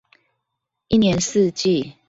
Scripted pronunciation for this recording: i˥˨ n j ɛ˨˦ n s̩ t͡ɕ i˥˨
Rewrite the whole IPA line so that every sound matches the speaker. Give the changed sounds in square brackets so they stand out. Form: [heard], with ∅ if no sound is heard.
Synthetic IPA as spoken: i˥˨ n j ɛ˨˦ n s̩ t͡ɕ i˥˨